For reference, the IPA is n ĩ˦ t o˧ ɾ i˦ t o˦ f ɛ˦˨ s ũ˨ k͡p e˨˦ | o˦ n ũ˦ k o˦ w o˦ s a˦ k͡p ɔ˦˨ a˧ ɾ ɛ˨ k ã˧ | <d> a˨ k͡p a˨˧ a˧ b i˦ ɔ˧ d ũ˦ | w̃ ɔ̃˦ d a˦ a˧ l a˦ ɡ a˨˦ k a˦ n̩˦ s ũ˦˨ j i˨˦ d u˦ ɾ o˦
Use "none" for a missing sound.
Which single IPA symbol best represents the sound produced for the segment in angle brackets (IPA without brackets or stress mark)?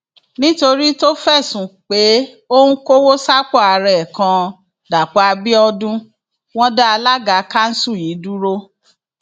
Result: d